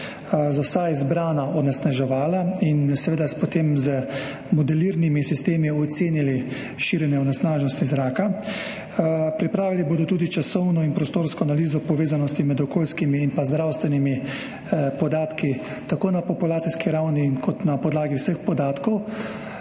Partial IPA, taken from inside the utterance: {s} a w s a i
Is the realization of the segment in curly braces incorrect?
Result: yes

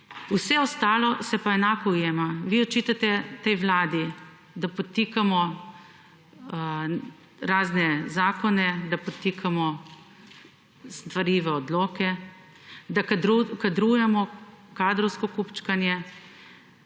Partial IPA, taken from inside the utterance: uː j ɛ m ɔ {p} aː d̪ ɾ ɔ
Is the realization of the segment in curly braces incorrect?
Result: yes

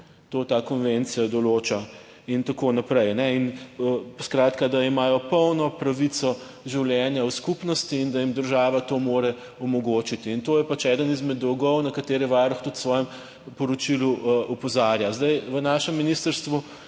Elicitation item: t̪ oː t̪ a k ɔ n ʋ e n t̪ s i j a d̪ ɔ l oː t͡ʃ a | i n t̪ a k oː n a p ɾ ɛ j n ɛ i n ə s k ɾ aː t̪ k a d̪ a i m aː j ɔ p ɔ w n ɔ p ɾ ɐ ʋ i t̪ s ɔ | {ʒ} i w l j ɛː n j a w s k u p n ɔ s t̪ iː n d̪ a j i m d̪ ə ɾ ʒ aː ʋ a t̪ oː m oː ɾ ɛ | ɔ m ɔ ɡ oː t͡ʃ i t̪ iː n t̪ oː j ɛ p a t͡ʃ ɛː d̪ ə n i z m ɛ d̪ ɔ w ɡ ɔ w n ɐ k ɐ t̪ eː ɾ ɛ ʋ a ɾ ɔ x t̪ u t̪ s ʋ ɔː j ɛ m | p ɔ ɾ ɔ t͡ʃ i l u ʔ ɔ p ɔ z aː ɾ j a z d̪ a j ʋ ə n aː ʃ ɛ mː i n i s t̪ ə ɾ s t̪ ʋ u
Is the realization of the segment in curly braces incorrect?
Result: no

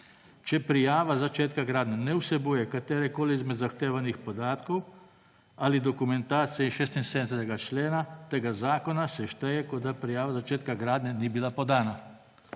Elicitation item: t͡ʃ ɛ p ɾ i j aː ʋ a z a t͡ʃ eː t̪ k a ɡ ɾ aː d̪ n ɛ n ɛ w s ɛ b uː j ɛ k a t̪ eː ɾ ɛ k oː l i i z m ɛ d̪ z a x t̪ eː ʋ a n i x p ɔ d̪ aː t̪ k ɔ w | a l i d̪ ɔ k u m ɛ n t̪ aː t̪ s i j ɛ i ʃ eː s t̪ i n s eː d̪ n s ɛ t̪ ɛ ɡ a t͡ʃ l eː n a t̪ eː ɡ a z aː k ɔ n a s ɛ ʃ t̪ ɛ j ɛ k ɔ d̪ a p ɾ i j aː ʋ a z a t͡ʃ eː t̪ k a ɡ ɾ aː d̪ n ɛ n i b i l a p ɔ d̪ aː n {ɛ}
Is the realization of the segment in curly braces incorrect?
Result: yes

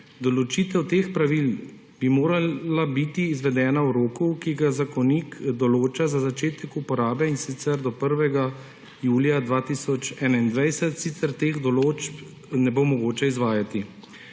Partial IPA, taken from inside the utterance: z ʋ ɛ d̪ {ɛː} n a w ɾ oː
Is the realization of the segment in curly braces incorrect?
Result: no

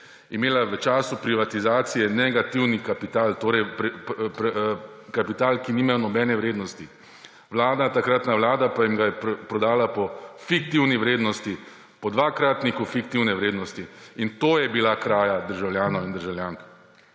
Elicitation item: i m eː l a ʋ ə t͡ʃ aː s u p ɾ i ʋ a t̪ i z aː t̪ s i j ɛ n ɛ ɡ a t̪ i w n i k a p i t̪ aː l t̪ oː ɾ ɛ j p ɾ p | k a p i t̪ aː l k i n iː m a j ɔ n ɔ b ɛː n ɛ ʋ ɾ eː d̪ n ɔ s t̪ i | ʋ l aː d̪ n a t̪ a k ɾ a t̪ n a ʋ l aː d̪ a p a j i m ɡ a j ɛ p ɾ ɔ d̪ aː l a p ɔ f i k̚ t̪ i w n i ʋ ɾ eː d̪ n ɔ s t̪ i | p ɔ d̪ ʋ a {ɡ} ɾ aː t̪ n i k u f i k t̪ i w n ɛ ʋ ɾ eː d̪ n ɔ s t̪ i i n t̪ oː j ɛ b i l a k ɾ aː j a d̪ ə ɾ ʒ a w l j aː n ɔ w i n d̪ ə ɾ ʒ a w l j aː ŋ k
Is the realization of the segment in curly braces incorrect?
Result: yes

